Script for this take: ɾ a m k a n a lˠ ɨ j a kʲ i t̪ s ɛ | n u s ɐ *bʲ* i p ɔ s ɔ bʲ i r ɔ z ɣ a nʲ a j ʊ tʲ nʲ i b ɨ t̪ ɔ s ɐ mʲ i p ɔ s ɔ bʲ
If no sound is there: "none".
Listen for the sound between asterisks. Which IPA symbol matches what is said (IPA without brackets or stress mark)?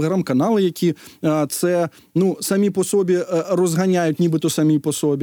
mʲ